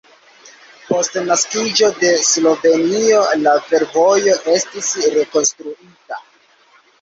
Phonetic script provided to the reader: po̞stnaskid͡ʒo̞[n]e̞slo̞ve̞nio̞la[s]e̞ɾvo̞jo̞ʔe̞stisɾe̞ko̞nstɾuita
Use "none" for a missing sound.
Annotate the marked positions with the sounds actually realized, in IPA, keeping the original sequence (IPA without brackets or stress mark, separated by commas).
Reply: d, f